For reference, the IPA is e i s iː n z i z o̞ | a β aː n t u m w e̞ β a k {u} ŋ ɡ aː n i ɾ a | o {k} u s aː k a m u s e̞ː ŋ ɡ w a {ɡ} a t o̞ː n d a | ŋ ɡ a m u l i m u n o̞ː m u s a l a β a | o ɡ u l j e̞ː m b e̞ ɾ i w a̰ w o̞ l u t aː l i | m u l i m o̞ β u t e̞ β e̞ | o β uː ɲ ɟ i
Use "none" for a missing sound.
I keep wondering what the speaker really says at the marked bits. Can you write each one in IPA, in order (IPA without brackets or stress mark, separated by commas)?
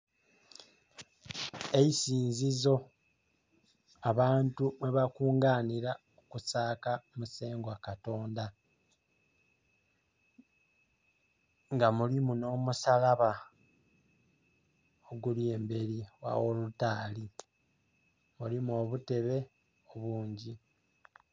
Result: uː, k, k